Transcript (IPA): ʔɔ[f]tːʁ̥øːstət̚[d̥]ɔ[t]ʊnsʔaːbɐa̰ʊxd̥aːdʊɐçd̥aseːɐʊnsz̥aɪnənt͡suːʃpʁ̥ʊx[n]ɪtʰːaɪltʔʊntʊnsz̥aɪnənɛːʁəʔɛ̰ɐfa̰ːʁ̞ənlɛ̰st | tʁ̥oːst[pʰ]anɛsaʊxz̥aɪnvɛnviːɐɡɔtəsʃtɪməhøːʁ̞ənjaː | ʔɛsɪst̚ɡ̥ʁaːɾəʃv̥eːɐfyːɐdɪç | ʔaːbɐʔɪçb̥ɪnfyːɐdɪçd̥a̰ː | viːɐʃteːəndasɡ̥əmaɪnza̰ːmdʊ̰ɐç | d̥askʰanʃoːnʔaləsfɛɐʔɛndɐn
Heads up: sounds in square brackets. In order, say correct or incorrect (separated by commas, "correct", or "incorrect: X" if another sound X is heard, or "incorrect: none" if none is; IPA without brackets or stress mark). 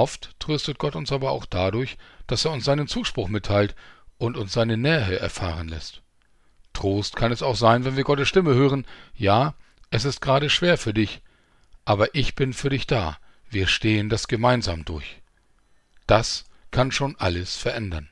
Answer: correct, incorrect: ɡ̥, correct, incorrect: m, incorrect: kʰ